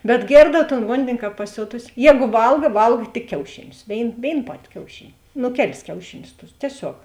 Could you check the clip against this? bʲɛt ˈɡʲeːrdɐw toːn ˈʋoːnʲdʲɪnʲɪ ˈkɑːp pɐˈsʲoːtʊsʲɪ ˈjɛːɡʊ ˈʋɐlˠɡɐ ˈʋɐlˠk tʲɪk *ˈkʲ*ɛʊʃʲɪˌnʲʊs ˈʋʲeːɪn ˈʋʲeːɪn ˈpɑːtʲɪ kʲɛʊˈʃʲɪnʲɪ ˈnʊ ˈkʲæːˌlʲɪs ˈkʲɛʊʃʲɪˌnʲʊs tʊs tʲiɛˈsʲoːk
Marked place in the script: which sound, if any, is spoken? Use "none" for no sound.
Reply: kʲ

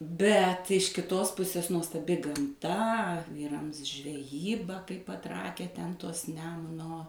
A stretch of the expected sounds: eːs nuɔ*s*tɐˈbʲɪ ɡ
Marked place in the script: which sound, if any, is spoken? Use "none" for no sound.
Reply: s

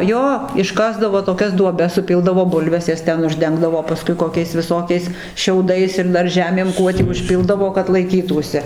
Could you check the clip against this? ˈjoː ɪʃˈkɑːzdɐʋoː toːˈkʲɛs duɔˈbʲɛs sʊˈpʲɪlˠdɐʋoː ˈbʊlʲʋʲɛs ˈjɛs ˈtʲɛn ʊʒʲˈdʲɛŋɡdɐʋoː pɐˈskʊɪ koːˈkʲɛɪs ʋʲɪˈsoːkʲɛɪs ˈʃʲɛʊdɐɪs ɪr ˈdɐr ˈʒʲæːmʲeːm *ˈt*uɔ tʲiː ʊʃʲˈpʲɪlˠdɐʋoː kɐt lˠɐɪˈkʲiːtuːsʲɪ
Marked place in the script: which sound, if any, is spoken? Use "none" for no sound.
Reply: k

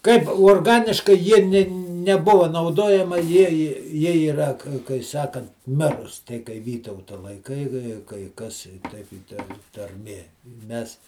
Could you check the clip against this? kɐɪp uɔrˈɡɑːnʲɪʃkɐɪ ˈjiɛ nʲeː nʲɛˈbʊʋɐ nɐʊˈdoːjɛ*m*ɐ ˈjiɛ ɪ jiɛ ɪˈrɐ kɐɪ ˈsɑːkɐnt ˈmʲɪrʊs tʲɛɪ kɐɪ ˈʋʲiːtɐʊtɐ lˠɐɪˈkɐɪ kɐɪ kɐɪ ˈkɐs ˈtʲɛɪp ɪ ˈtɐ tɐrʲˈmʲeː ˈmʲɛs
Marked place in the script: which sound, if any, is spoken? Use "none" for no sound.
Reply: m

